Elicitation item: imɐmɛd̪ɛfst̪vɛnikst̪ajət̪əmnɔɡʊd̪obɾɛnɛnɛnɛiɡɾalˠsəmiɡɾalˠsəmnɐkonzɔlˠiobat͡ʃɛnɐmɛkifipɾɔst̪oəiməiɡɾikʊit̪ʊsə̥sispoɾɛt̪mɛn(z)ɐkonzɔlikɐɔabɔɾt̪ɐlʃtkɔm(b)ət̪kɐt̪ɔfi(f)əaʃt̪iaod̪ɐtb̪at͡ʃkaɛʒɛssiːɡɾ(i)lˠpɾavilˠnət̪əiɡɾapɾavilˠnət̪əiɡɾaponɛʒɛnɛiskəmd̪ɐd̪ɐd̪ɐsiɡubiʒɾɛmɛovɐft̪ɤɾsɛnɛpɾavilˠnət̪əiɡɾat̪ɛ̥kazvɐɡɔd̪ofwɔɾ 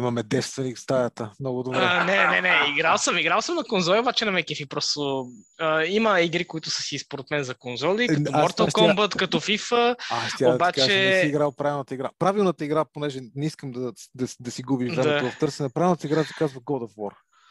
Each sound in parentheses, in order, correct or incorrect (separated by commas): correct, correct, correct, incorrect